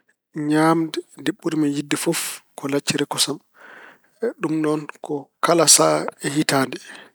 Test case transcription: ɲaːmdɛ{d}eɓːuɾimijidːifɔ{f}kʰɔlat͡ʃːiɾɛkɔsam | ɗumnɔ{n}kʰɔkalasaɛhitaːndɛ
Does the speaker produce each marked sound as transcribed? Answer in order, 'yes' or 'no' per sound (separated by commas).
yes, yes, yes